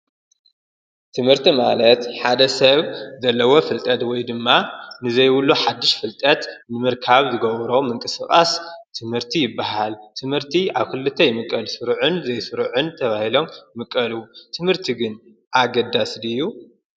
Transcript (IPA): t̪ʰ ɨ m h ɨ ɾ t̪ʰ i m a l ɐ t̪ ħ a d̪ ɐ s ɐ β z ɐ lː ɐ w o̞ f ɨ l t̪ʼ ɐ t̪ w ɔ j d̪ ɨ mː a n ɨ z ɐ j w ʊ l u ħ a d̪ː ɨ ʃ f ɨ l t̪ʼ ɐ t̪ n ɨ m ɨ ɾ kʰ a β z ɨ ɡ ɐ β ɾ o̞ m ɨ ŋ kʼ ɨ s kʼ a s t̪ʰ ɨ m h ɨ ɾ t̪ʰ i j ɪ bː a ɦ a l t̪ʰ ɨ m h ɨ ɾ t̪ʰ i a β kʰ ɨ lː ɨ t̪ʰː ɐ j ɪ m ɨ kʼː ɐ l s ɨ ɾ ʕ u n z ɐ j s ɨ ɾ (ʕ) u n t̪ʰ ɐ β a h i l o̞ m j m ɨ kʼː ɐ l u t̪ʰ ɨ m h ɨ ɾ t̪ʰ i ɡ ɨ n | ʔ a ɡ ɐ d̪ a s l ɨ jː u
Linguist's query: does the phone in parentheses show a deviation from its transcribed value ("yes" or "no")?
no